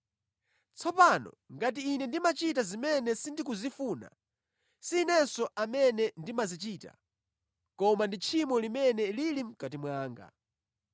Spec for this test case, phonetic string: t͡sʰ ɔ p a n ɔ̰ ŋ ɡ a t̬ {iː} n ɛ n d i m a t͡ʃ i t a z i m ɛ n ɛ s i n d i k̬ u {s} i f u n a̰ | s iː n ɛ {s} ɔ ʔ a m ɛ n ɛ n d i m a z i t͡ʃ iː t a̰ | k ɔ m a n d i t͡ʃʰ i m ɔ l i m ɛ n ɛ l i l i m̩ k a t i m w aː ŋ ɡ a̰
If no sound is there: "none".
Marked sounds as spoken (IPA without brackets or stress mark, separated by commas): iː, z, s